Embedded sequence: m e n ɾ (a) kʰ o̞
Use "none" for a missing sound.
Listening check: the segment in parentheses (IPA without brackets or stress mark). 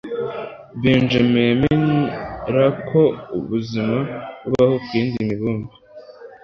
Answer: a